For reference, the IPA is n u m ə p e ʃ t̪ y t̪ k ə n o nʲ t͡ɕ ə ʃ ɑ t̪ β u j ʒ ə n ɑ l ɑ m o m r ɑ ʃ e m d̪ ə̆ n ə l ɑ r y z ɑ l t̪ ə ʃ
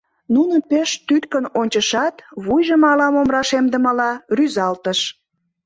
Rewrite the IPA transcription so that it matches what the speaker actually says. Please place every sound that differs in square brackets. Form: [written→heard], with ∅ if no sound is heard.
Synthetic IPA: n u [m→n] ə p e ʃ t̪ y t̪ k ə n o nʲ t͡ɕ ə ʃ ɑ t̪ β u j ʒ ə [n→m] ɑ l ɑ m o m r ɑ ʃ e m d̪ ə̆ [n→m] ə l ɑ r y z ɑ l t̪ ə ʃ

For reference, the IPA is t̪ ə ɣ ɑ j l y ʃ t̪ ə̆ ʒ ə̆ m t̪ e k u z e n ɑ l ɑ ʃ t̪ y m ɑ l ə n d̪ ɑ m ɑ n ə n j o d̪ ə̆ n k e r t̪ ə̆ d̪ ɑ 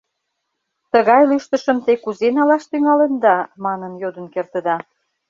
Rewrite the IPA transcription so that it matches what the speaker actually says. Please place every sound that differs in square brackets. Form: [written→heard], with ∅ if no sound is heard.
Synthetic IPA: t̪ ə ɣ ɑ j l y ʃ t̪ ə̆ [ʒ→ʃ] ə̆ m t̪ e k u z e n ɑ l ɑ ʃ t̪ y [m→ŋ] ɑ l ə n d̪ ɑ m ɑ n ə n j o d̪ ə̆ n k e r t̪ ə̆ d̪ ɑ

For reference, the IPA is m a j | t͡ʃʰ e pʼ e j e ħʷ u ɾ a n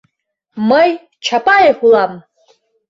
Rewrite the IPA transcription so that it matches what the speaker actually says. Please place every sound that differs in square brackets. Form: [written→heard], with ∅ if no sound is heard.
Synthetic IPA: m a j | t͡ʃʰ [e→a] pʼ [e→a] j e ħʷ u [ɾ→l] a [n→m]

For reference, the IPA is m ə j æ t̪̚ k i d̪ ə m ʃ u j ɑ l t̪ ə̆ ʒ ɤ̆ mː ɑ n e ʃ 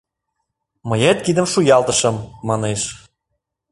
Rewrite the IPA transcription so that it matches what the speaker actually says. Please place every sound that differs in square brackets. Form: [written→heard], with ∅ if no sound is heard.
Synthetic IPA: m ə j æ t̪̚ k i d̪ ə m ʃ u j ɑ l t̪ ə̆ [ʒ→ʃ] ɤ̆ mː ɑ n e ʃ

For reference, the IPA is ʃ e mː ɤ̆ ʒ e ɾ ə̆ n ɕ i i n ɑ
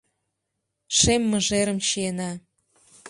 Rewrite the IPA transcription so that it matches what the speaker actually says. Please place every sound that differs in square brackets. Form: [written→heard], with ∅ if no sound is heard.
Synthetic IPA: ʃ e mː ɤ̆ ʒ e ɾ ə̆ [n→m] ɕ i [i→e] n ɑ

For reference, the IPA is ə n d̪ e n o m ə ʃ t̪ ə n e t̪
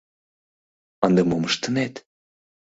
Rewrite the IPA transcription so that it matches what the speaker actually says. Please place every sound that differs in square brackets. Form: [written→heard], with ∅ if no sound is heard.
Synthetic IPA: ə n d̪ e [n→m] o m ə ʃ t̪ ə n e t̪

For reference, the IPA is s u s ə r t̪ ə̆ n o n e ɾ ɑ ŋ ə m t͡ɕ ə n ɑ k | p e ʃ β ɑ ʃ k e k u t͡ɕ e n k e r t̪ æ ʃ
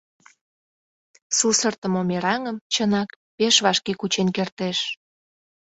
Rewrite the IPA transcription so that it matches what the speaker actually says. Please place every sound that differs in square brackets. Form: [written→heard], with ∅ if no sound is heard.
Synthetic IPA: s u s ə r t̪ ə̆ [n→m] o [n→m] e ɾ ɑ ŋ ə m t͡ɕ ə n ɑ k | p e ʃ β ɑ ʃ k e k u t͡ɕ e n k e r t̪ [æ→e] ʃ

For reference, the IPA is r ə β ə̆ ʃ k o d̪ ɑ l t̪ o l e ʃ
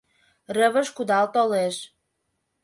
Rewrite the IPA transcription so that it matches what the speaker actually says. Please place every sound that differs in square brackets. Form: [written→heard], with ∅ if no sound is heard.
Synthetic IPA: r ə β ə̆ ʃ k [o→u] d̪ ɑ l t̪ o l e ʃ

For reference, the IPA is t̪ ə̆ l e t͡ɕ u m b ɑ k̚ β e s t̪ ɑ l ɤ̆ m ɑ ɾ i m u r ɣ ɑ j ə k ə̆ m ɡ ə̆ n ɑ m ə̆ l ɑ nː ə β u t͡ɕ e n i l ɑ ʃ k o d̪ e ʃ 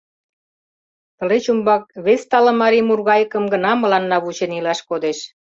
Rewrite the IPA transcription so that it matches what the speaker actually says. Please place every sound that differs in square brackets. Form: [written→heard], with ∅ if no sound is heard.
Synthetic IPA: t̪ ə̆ l e t͡ɕ u m b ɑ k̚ β e s t̪ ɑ l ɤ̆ m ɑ ɾ i m u r ɣ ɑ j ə k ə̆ m ɡ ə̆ n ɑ m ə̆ l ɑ nː [ə→ɑ] β u t͡ɕ e n i l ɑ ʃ k o d̪ e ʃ

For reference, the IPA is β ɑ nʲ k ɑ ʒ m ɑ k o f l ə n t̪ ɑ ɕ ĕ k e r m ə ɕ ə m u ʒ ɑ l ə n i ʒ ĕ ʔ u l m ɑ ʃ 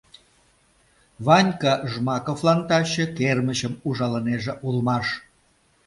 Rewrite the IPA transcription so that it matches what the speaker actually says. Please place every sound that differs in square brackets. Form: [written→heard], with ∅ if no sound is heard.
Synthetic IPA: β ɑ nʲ k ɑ ʒ m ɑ k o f l [ə→ɑ] n t̪ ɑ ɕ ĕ k e r m ə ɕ ə m u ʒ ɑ l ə n [i→e] ʒ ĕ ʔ u l m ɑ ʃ

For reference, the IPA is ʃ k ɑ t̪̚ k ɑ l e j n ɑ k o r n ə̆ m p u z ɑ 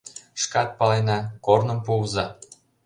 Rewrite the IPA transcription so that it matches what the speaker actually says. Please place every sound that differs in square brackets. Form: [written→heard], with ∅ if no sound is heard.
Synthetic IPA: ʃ k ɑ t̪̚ [k→p] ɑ l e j n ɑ k o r n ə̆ m p u z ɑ

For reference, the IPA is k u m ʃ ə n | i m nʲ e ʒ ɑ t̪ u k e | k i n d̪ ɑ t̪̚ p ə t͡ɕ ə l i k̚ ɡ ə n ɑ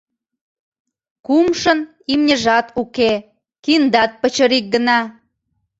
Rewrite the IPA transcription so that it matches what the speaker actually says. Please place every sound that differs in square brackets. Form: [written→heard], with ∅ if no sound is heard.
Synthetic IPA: k u m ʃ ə n | i m nʲ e ʒ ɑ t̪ u k e | k i n d̪ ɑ t̪̚ p ə t͡ɕ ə [l→ɾ] i k̚ ɡ ə n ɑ

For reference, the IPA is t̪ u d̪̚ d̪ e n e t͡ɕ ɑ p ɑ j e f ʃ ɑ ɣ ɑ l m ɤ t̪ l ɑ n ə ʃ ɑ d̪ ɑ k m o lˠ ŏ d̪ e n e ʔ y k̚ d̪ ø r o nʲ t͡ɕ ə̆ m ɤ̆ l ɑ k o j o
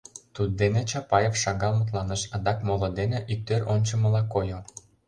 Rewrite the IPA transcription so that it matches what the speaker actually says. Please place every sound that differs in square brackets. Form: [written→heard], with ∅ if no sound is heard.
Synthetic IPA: t̪ u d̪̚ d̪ e n e t͡ɕ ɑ p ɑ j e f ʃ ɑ ɣ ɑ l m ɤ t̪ l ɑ n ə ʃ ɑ d̪ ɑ k m o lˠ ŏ d̪ e n e ʔ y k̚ [d̪→t̪] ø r o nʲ t͡ɕ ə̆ m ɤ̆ l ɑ k o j o

